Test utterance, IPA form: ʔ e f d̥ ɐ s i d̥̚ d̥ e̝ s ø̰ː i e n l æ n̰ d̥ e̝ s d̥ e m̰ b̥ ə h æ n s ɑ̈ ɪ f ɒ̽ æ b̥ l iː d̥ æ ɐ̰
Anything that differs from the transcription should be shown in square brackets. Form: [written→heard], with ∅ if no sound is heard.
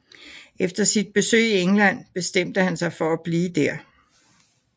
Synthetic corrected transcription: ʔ e f d̥ ɐ s i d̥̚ [d̥→b̥] e̝ s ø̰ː i e [n→ŋ] l æ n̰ [d̥→b̥] e̝ s d̥ e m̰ [b̥→d̥] ə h æ n s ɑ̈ ɪ f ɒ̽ æ b̥ l iː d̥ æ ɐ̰